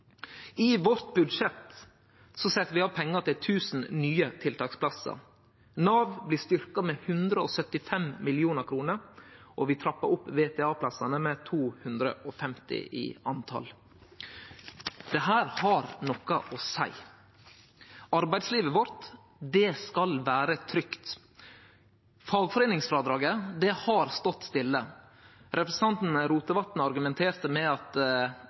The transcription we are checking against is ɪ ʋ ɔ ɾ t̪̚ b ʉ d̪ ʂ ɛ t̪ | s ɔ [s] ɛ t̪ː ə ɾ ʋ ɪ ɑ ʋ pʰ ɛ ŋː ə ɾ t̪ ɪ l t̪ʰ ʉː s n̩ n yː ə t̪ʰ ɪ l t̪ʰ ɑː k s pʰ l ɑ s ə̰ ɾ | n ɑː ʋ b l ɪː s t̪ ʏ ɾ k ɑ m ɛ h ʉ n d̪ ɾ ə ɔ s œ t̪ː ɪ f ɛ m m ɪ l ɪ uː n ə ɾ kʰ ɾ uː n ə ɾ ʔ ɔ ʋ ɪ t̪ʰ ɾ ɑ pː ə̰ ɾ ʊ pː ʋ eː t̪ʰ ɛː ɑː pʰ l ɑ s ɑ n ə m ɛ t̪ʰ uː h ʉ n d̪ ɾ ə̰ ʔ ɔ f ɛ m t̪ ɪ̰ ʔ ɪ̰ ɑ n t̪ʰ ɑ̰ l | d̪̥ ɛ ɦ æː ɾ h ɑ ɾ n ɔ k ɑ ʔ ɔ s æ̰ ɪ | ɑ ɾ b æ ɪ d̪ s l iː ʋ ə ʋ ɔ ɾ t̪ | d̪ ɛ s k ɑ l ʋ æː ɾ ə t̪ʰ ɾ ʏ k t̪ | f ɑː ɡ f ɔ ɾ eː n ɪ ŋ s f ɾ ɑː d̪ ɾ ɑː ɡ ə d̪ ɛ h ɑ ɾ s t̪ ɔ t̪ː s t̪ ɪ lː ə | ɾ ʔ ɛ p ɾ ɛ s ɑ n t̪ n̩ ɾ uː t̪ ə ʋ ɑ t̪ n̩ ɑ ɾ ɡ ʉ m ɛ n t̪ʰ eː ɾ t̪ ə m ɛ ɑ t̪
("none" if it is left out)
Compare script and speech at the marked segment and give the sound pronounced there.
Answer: s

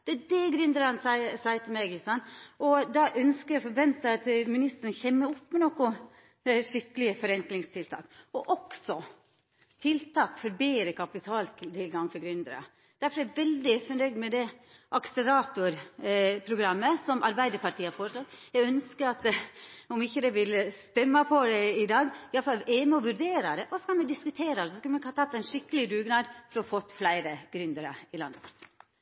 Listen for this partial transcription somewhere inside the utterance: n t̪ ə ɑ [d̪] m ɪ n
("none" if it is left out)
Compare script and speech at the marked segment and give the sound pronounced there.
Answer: t̪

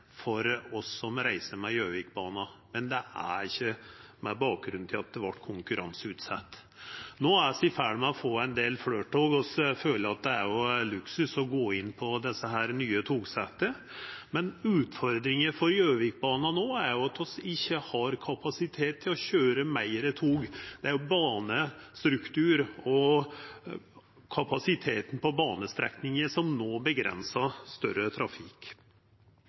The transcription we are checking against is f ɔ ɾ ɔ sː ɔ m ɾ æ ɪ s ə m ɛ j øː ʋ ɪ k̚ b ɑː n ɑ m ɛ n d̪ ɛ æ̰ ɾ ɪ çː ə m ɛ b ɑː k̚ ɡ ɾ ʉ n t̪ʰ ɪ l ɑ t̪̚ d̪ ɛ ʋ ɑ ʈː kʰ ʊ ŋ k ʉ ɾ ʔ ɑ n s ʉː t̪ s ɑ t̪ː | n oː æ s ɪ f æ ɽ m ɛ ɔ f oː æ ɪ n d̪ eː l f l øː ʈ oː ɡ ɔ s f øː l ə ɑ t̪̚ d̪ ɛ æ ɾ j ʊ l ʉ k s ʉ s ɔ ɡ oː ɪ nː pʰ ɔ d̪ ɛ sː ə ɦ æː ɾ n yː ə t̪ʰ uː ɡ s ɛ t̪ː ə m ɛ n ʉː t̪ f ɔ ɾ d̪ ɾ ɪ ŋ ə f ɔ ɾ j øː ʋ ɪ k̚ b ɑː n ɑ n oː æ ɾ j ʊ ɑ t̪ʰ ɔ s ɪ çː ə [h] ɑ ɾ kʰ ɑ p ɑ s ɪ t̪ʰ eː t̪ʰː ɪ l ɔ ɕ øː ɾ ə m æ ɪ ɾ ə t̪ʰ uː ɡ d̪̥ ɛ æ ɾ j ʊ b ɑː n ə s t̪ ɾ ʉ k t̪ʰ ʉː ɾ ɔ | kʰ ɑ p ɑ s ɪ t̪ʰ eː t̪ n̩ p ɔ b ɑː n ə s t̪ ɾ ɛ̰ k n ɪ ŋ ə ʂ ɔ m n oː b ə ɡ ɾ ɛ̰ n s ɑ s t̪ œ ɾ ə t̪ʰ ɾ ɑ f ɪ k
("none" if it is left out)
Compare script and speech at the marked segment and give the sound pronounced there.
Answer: h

